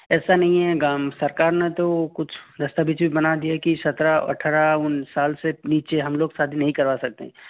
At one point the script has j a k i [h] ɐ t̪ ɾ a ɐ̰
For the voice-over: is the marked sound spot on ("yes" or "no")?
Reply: no